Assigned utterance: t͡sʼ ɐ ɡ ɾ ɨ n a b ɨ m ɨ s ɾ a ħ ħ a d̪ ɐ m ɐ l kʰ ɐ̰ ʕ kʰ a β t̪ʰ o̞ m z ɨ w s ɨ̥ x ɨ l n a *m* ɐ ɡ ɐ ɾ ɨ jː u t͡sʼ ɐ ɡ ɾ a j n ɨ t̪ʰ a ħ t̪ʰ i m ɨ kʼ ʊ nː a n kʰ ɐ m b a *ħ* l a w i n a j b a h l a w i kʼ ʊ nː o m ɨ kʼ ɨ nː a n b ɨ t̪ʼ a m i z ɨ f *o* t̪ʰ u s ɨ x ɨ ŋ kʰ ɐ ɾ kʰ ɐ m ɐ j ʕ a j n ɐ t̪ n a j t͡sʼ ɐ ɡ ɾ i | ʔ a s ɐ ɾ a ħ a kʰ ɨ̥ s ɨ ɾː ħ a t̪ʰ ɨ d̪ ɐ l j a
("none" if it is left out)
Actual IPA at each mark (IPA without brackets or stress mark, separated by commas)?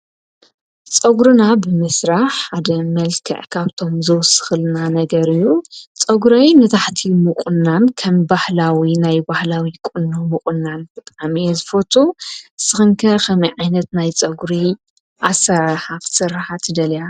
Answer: n, h, o